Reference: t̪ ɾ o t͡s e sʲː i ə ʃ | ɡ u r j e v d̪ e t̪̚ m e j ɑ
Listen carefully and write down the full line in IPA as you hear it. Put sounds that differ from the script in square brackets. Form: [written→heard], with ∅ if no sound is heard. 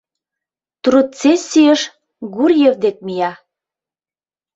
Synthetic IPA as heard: t̪ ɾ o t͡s e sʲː i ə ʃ | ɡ u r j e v d̪ e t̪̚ m [e→i] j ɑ